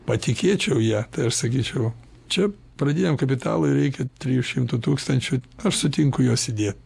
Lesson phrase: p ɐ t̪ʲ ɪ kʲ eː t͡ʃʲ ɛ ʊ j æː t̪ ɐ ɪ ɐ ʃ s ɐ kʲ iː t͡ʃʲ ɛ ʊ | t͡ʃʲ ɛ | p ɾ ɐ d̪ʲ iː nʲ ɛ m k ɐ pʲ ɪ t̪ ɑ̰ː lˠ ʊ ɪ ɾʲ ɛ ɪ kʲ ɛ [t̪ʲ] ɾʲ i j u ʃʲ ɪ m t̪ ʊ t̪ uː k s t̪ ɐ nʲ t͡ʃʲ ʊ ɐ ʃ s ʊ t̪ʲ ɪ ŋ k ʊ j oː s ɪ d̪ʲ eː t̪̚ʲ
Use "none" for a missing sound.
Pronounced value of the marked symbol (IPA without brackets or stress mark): t̪ʲ